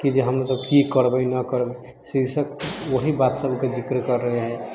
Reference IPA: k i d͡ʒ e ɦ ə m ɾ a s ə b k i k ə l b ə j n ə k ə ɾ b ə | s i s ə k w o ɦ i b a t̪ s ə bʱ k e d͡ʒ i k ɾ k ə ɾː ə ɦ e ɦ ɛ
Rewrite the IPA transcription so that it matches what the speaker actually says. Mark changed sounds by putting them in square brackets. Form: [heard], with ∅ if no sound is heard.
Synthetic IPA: k i d͡ʒ e ɦ ə m ɾ a s ə b k i k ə [ɾ] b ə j n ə k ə ɾ b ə | s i s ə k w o ɦ i b a t̪ s ə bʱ k e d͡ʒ i k ɾ k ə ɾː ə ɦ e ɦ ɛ